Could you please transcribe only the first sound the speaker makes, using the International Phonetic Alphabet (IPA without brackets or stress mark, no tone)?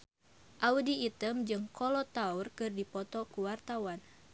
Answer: ʔ